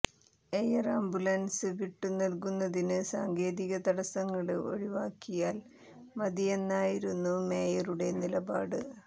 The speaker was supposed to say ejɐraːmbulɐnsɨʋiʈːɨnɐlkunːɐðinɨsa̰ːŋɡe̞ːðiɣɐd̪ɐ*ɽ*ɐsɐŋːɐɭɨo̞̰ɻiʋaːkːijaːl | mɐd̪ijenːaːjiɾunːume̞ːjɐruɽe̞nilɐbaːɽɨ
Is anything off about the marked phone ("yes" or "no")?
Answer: no